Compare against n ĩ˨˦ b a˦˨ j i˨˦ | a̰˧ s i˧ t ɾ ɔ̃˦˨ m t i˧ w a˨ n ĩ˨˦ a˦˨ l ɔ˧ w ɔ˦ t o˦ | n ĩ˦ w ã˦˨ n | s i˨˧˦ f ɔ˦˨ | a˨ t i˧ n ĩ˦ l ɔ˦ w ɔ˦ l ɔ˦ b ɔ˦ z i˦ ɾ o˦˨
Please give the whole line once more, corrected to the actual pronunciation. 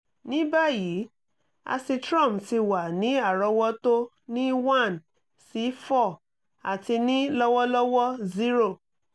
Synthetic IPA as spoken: n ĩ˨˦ b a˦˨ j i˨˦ | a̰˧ s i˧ t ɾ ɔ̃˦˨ m t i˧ w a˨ n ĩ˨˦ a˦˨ ɾ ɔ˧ w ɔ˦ t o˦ | n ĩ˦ w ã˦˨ n | s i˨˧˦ f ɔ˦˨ | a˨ t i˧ n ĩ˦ l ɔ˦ w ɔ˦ l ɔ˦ w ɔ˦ z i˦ ɾ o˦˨

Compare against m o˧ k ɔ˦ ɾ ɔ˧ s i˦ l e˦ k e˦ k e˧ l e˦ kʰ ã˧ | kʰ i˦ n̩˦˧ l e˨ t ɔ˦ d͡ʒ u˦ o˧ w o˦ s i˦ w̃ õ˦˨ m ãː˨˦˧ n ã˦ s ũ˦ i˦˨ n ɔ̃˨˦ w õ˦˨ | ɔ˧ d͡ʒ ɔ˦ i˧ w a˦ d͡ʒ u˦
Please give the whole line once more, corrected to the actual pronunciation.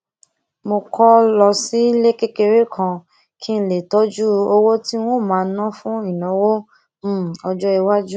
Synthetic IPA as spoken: m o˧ k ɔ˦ l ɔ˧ s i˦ l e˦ k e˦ k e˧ ɾ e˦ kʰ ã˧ | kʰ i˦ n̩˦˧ l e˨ t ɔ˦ d͡ʒ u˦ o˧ w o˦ t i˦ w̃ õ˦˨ m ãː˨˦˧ n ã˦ f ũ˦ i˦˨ n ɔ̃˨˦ w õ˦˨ | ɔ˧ d͡ʒ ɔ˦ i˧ w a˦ d͡ʒ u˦

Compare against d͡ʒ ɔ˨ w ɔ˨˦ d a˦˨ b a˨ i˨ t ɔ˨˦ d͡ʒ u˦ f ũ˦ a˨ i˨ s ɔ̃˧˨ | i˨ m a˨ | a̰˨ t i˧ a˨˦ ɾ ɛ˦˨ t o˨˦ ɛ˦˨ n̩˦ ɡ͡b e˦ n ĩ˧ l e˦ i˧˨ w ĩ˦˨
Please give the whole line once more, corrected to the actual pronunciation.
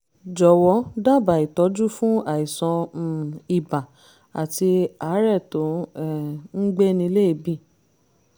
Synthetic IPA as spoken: d͡ʒ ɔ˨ w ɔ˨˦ d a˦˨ b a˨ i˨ t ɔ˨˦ d͡ʒ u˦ f ũ˦ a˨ i˨ s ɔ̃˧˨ | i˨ b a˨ | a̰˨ t i˧ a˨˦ ɾ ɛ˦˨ t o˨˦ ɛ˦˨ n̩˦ ɡ͡b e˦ n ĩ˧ l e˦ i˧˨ b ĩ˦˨

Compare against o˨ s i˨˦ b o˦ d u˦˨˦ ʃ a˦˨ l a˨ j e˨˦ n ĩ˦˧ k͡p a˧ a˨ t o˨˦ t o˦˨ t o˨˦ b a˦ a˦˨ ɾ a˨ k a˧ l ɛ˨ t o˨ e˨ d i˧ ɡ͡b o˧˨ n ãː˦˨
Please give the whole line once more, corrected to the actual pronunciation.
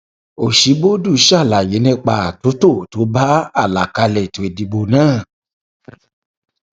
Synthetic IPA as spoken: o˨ ʃ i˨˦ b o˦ d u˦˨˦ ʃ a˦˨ l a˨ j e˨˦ n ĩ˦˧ k͡p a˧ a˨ t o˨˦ t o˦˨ t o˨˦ b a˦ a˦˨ l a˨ k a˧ l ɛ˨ t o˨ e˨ d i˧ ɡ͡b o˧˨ n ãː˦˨

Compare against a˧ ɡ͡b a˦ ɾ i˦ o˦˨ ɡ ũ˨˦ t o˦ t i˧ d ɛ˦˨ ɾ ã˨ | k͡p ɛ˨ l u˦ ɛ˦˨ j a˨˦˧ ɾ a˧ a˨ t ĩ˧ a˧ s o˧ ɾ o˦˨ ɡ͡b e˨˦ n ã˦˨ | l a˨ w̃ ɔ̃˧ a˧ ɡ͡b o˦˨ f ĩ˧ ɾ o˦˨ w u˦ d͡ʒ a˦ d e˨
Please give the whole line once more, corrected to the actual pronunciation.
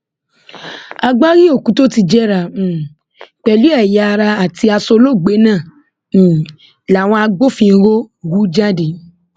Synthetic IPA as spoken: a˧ ɡ͡b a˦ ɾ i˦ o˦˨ k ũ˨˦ t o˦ t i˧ d͡ʒ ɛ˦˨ ɾ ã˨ | k͡p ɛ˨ l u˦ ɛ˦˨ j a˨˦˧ ɾ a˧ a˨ t i˧ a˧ s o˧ l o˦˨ ɡ͡b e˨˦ n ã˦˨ | l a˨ w̃ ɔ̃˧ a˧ ɡ͡b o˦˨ f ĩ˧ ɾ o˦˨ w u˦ d͡ʒ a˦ d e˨

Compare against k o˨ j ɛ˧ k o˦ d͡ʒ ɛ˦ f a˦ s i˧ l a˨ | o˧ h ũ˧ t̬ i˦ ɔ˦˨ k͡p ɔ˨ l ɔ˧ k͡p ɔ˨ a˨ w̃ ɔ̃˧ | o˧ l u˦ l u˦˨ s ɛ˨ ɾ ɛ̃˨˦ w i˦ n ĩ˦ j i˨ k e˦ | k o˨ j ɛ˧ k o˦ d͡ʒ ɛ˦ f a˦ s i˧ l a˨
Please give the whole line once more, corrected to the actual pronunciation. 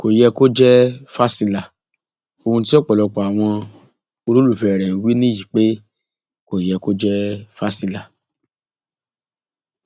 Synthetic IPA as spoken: k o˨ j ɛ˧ k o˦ d͡ʒ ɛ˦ f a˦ s i˧ l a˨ | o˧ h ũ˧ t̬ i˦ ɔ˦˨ k͡p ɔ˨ l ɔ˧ k͡p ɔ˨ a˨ w̃ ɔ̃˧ | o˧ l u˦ l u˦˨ f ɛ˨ ɾ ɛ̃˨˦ w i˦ n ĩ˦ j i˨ k͡p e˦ | k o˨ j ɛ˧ k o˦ d͡ʒ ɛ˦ f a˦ s i˧ l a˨

